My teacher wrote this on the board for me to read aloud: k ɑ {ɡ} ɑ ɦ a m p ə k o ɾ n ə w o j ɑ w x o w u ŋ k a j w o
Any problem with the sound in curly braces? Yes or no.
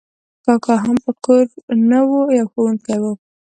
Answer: yes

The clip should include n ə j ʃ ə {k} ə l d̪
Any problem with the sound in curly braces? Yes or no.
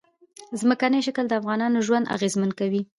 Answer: no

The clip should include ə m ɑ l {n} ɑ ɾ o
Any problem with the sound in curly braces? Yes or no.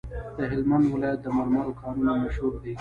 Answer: yes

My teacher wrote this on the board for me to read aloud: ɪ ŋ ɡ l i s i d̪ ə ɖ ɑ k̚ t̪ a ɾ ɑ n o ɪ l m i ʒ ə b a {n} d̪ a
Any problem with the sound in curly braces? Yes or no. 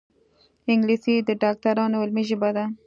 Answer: yes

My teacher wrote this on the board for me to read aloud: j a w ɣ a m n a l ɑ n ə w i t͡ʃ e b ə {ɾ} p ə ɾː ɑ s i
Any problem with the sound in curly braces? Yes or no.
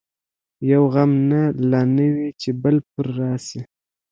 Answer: yes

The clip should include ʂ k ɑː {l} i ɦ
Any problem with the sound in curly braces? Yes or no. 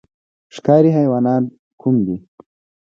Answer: yes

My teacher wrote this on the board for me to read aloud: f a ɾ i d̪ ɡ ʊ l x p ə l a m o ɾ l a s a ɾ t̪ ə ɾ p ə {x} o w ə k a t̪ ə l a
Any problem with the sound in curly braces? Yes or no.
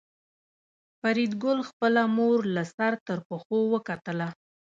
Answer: no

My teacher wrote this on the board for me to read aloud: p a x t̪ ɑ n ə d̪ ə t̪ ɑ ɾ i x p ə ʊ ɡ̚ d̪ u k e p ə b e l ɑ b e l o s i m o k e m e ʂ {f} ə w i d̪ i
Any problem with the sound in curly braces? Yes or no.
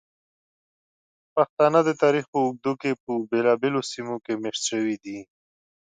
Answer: yes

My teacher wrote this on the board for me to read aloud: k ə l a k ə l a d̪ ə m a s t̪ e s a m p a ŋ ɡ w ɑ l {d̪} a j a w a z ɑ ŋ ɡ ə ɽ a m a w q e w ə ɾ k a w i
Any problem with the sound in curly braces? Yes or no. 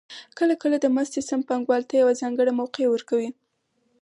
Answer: yes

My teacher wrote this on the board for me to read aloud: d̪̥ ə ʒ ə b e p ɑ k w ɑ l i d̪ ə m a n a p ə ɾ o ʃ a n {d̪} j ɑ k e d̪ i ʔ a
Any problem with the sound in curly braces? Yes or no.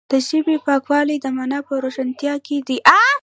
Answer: yes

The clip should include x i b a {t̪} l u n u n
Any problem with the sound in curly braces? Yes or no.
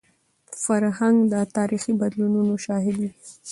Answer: yes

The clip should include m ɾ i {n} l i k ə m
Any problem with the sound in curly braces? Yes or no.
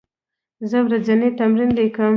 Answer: no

